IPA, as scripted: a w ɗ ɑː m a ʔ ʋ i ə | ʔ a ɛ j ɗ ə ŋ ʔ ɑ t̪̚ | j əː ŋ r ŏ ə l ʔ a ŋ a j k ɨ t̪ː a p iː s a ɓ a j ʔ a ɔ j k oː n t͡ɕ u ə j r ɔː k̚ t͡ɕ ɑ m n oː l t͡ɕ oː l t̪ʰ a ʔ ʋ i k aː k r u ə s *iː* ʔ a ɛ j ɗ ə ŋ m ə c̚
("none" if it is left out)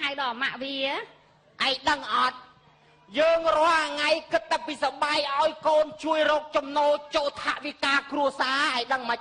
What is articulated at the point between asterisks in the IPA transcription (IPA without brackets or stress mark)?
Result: aː